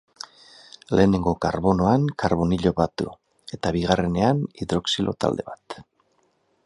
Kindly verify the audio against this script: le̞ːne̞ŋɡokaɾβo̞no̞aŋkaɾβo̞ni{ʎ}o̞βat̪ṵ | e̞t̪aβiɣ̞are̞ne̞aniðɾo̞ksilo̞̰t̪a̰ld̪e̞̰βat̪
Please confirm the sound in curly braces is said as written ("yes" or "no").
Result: yes